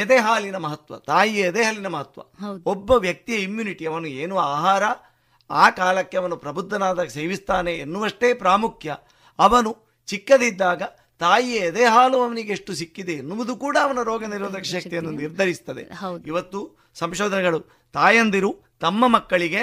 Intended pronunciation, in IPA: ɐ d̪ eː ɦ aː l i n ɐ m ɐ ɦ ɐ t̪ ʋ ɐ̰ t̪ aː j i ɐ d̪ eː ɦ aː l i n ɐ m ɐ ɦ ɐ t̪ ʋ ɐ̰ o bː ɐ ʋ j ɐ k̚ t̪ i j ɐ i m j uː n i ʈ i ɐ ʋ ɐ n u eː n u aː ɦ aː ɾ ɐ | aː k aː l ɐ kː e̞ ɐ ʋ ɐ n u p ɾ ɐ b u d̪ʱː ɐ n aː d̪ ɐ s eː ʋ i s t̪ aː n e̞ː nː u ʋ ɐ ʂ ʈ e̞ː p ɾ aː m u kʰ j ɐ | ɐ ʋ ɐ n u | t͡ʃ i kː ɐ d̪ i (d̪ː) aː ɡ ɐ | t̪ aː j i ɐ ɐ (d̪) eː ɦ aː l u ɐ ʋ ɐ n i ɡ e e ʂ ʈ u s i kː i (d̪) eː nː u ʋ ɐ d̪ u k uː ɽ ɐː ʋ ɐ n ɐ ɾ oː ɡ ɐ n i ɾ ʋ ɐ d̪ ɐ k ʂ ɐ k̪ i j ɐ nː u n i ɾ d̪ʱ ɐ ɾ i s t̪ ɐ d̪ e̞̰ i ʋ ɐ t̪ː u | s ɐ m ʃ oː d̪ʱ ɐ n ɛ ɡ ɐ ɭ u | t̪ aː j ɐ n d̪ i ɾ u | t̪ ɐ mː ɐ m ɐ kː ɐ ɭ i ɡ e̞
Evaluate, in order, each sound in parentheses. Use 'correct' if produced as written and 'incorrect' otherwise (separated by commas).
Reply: correct, correct, correct